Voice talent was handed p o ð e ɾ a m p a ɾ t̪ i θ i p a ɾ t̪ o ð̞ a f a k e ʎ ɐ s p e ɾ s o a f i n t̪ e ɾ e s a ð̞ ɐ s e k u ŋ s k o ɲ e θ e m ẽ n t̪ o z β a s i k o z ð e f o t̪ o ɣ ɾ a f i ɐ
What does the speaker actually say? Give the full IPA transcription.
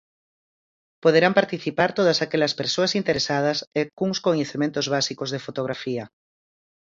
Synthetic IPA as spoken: p o ð e ɾ a m p a ɾ t̪ i θ i p a ɾ t̪ o ð̞ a s a k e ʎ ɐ s p e ɾ s o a s i n t̪ e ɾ e s a ð̞ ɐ s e k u ŋ s k o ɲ e θ e m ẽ n t̪ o z β a s i k o z ð e f o t̪ o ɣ ɾ a f i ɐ